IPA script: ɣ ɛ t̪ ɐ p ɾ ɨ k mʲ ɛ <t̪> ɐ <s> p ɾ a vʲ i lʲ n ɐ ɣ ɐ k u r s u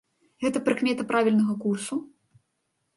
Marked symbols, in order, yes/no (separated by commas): yes, no